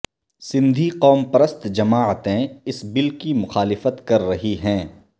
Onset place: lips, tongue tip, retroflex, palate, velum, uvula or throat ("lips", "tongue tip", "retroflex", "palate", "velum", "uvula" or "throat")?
tongue tip